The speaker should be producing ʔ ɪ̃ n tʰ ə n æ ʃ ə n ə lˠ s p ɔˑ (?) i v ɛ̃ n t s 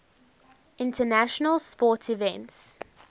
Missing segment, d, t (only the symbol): t